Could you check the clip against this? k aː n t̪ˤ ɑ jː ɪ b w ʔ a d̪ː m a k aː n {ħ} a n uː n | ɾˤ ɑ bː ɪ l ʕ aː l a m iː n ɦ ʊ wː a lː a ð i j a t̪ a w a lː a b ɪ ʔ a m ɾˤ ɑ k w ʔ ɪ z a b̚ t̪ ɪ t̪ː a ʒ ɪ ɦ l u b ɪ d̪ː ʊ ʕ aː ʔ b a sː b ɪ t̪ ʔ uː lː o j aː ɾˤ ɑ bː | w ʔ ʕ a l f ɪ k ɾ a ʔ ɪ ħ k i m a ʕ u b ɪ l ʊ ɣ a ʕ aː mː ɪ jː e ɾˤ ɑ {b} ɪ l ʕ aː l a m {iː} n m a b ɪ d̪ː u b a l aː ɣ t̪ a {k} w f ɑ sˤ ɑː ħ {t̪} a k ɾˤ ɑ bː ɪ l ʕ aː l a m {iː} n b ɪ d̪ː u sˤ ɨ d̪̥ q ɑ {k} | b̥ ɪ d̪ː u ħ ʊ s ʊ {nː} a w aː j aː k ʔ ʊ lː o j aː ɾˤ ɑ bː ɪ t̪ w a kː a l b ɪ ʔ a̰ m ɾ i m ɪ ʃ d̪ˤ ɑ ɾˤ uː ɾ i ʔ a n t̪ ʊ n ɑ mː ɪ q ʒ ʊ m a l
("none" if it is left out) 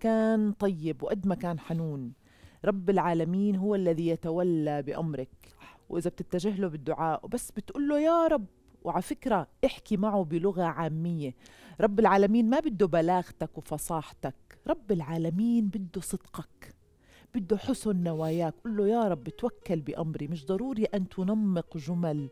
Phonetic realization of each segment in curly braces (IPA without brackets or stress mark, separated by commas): ħ, bː, iː, k, t̪, iː, k, nː